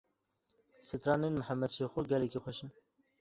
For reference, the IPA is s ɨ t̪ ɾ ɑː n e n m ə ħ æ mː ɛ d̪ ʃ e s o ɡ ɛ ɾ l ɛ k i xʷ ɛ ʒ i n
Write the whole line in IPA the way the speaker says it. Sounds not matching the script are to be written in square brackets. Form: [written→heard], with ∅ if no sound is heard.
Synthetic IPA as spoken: s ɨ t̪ ɾ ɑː n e n m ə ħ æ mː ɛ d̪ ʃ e [s→x] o ɡ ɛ [ɾ→∅] l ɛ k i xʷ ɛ [ʒ→ʃ] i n